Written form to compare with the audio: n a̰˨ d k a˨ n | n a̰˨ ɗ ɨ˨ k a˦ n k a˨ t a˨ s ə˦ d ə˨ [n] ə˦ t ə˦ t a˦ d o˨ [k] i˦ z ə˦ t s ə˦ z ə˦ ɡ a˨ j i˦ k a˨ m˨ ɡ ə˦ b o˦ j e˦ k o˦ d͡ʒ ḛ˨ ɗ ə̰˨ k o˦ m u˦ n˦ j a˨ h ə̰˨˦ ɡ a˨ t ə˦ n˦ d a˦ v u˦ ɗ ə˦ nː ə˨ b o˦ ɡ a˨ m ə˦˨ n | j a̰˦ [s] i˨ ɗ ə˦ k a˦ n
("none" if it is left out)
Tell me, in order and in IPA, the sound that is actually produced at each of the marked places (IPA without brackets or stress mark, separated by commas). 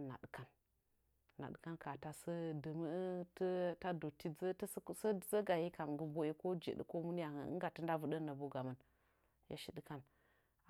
m, t, ʃ